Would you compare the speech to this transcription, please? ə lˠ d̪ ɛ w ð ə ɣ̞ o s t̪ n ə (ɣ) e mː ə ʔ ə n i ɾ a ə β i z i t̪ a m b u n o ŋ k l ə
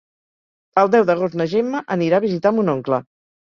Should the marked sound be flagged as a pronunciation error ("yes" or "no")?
yes